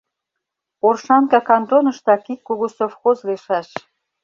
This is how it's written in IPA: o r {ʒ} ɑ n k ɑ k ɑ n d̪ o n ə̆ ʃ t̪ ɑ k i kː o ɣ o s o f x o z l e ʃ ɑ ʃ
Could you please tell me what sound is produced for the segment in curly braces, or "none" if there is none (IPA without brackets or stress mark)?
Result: ʃ